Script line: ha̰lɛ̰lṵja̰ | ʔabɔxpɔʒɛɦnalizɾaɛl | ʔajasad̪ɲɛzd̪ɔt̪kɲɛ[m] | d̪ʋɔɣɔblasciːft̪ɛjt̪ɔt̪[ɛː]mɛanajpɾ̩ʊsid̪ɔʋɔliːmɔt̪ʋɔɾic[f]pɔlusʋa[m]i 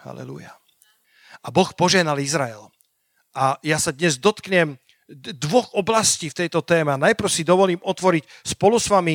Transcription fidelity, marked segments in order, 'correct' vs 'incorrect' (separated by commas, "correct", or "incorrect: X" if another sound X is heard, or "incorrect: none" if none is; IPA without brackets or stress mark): correct, correct, incorrect: s, correct